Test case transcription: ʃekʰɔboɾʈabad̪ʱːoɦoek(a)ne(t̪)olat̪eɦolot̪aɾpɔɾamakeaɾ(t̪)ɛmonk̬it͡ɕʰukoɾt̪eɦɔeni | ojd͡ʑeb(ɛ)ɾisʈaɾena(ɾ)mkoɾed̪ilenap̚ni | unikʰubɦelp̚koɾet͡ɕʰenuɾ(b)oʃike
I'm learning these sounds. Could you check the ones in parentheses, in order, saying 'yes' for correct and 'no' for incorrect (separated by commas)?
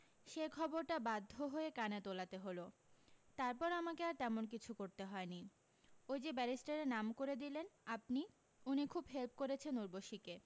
yes, yes, yes, yes, no, yes